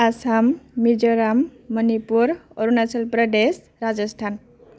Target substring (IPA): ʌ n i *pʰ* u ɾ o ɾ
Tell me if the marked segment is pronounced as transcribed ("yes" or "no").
no